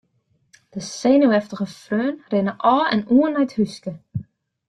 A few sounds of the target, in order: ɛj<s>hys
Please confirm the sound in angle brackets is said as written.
no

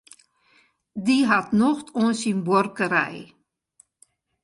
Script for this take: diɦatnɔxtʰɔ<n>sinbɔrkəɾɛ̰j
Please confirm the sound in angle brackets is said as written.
yes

